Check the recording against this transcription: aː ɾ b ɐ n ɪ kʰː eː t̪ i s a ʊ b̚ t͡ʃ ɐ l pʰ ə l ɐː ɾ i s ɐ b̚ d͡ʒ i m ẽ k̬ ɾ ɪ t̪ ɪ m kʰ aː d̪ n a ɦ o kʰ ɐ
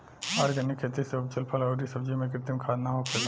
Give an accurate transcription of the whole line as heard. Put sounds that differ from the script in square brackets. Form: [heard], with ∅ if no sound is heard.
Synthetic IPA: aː ɾ [ɡ] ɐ n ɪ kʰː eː t̪ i s [e] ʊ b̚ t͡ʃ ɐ l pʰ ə l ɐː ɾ i s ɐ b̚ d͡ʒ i m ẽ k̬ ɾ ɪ t̪ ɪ m kʰ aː d̪ n a ɦ o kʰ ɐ